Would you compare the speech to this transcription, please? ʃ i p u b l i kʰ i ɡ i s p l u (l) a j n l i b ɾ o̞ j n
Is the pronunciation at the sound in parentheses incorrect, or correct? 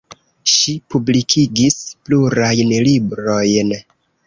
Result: incorrect